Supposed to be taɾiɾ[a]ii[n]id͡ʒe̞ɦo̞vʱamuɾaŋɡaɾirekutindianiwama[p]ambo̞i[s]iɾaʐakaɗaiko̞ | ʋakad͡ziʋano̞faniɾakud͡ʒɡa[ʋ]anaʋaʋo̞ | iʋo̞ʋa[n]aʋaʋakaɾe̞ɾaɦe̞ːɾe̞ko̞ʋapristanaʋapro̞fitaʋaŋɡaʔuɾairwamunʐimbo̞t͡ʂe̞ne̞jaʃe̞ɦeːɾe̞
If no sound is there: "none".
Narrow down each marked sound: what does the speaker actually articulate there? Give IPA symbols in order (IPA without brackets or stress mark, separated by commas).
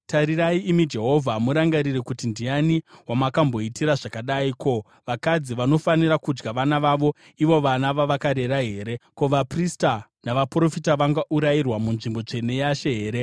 a, m, k, t, ʋ, n